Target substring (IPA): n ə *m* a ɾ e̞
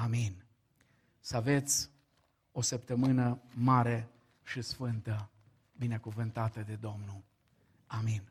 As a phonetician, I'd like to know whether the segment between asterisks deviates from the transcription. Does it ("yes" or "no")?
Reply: no